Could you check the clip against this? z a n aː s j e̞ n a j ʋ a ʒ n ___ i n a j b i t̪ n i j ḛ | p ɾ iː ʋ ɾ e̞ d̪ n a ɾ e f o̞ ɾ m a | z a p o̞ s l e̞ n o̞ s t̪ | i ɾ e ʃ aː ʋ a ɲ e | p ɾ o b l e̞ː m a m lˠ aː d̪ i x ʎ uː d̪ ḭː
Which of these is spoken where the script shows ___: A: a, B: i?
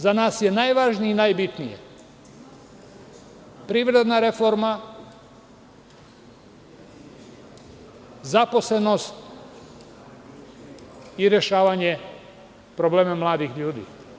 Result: B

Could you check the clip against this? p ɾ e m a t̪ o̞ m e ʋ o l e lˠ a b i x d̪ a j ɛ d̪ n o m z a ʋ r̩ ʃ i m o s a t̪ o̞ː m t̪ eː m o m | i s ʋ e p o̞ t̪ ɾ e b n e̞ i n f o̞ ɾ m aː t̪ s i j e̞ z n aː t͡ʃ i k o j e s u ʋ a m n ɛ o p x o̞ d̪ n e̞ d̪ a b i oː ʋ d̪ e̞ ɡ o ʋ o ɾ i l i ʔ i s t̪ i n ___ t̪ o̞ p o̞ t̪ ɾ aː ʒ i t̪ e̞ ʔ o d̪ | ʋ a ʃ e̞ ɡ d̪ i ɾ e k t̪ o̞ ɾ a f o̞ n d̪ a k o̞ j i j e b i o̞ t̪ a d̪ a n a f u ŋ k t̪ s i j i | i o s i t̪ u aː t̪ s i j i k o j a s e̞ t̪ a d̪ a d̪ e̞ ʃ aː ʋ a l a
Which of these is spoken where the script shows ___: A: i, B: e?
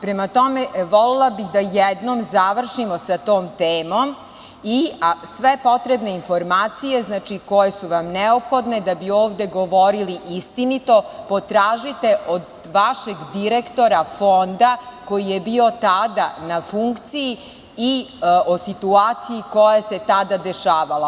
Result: A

